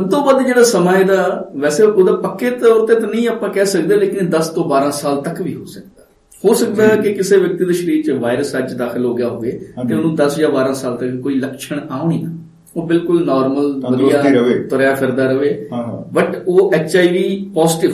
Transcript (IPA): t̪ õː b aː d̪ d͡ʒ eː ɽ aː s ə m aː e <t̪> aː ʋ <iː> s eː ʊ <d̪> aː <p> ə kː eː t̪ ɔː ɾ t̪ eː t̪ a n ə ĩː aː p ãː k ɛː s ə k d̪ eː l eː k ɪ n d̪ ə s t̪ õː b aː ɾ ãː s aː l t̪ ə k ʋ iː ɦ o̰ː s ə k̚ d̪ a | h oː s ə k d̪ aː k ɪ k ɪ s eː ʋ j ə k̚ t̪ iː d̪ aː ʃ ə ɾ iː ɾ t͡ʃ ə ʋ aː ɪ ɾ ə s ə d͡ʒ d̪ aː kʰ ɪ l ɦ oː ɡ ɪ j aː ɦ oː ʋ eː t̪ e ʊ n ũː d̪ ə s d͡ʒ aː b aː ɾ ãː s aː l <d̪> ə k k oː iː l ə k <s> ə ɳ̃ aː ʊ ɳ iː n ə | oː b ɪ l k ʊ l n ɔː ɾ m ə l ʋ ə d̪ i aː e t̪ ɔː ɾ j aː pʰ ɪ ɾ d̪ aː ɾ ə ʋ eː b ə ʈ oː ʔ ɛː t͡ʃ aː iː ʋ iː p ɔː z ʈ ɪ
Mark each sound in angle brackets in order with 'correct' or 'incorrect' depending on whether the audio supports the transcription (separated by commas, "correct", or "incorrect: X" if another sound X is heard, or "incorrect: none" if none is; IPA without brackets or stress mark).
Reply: incorrect: d̪, incorrect: ɛː, correct, correct, incorrect: t̪, incorrect: ʃ